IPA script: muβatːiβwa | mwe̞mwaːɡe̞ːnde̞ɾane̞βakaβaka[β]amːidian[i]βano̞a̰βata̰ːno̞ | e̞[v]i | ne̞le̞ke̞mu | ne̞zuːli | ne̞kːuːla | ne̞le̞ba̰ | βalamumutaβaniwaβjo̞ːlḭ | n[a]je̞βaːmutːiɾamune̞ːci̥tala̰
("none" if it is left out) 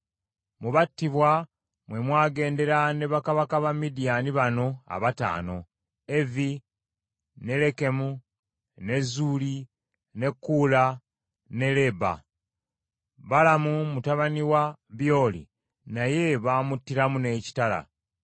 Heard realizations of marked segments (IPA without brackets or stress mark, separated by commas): β, i, v, a